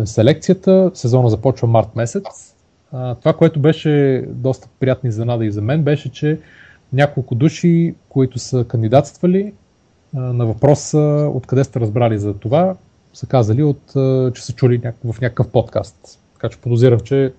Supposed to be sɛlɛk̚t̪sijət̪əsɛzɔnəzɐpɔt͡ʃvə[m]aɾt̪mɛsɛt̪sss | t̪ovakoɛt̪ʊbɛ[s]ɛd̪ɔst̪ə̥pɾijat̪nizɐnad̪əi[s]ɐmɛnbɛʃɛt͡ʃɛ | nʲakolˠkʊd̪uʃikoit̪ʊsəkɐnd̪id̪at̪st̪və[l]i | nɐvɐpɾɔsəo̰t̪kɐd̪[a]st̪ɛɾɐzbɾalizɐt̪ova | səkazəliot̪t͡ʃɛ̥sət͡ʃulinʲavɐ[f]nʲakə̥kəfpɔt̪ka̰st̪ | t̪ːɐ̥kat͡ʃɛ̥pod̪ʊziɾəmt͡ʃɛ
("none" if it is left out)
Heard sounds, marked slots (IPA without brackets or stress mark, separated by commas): m, ʃ, z, l, ɛ, f